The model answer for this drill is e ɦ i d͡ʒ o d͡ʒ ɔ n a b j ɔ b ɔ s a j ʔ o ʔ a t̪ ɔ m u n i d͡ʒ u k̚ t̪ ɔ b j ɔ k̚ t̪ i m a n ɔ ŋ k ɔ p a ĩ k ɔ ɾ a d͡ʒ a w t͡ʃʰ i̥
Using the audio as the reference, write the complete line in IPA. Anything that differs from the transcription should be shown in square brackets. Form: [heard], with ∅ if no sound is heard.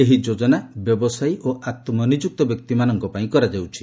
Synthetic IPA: e ɦ i d͡ʒ o d͡ʒ ɔ n a b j ɔ b ɔ s a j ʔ o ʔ a t̪ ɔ m [ɔ] n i d͡ʒ u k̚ t̪ ɔ b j ɔ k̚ t̪ i m a n ɔ ŋ k ɔ p a ĩ k ɔ ɾ a d͡ʒ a w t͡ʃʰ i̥